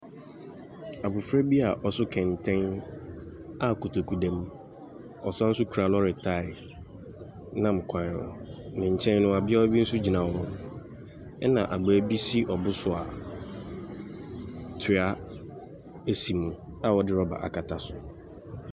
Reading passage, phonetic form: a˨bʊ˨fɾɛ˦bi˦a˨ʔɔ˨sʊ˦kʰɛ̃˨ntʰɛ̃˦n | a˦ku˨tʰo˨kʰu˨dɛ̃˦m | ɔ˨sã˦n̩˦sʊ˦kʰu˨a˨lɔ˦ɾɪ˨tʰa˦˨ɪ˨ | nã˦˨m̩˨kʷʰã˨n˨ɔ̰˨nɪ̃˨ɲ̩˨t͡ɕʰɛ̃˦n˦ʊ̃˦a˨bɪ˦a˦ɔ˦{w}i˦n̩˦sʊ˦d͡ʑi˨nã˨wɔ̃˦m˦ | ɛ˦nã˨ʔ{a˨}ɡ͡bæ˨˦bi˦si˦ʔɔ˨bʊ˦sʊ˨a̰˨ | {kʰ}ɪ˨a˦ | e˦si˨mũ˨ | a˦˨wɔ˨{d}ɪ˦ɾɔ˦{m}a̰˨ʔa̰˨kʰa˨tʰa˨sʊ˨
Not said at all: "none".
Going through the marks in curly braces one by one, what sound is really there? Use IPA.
b, a˨, tʰ, d, b

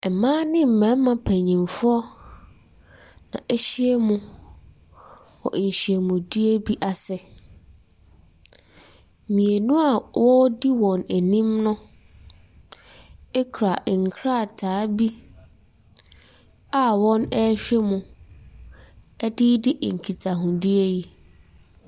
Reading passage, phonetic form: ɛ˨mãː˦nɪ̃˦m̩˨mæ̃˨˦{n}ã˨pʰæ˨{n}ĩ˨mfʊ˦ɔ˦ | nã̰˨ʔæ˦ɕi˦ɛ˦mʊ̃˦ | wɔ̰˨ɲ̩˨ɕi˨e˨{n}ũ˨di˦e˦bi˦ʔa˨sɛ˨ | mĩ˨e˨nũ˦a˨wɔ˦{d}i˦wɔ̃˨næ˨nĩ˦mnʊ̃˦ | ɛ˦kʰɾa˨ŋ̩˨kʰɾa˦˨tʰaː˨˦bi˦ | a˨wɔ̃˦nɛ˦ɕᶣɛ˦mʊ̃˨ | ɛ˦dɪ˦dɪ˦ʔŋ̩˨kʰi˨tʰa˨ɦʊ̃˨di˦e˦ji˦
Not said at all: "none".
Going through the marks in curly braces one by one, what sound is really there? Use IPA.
m, ɲ, m, d

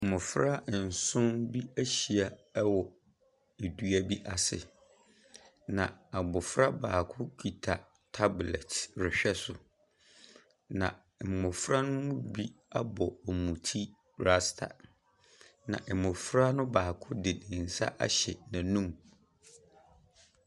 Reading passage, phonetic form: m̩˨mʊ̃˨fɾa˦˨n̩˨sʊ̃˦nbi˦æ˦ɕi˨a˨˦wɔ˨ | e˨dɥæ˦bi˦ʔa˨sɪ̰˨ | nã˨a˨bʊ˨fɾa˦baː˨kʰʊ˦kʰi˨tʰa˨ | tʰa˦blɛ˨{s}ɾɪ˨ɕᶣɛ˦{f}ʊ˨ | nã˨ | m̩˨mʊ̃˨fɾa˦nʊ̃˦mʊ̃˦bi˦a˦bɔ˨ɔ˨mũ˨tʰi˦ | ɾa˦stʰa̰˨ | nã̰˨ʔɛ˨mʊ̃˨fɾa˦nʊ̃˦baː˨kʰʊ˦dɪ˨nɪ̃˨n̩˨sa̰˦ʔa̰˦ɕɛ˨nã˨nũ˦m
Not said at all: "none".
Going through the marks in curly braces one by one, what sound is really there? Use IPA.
t, s

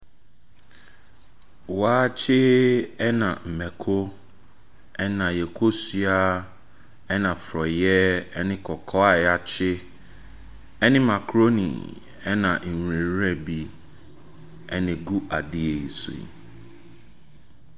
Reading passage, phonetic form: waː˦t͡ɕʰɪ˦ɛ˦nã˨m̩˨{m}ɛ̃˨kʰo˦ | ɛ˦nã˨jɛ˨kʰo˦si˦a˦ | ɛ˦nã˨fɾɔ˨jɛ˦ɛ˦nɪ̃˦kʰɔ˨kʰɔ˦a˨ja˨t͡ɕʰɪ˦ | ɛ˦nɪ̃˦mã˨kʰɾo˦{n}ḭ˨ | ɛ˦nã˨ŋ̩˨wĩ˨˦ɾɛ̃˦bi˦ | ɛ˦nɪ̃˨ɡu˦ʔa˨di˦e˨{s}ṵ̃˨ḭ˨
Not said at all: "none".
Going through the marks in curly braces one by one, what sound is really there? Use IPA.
m, n, s

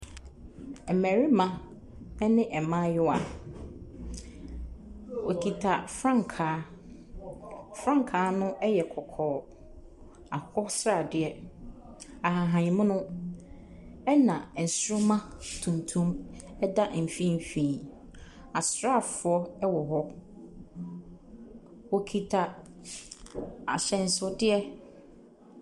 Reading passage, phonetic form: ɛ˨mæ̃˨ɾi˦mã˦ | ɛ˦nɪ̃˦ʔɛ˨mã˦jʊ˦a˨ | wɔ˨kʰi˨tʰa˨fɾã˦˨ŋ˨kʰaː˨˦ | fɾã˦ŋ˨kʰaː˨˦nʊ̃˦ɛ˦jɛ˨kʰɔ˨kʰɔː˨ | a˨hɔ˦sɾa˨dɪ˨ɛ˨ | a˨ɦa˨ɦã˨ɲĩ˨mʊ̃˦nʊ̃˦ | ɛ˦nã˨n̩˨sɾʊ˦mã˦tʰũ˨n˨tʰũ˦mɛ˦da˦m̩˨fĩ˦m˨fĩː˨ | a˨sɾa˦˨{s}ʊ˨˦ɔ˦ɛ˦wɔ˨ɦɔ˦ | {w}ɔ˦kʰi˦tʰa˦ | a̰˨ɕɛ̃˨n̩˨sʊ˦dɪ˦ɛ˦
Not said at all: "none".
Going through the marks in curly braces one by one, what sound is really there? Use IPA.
f, w

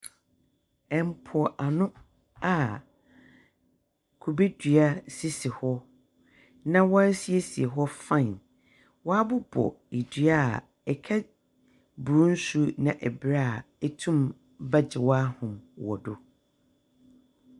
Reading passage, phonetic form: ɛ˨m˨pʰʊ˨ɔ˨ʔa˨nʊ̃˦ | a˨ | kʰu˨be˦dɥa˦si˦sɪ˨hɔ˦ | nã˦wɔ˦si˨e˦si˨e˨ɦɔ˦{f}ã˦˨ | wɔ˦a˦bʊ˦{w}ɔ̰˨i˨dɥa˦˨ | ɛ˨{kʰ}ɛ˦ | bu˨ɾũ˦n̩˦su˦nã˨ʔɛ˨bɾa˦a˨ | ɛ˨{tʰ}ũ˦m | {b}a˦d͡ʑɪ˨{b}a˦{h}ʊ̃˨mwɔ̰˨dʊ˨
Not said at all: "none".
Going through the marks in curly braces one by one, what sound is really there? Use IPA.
f, b, kʰ, tʰ, b, w, h

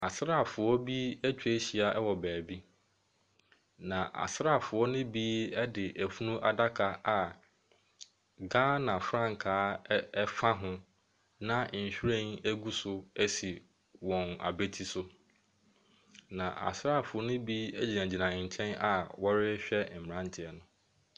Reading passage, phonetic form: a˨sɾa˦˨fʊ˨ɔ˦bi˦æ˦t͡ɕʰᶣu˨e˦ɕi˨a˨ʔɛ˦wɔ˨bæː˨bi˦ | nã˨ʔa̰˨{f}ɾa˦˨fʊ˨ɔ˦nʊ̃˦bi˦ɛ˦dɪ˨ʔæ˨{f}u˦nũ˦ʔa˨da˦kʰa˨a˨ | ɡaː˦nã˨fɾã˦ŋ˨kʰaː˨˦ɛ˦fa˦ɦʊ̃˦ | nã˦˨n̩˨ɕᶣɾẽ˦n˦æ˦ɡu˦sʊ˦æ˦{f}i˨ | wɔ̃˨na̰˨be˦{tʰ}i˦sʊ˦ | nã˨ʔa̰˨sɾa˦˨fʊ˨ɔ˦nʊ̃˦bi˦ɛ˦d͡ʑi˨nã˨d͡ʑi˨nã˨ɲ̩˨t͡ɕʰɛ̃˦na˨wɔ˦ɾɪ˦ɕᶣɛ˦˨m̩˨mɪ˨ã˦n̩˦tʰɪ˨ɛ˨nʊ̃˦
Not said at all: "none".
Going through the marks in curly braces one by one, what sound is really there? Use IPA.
s, f, s, tʰ

